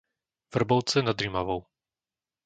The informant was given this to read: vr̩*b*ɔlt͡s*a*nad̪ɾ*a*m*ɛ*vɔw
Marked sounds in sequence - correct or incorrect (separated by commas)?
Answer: correct, incorrect, incorrect, incorrect